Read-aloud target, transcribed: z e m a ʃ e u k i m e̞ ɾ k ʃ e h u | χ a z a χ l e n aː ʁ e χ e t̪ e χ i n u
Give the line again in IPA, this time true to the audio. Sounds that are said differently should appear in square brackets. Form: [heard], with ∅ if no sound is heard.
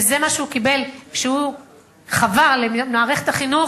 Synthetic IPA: z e m a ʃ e u k i [b] e̞ [l] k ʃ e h u | χ a [v] a [ʁ] l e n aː ʁ e χ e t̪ [a] χ i n u